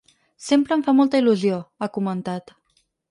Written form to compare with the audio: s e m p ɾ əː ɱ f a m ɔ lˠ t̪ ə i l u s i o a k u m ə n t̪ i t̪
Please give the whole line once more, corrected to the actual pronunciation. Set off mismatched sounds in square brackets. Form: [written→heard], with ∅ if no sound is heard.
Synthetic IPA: s e m p ɾ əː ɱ f a m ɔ lˠ t̪ ə i l u [s→z] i o a k u m ə n t̪ [i→a] t̪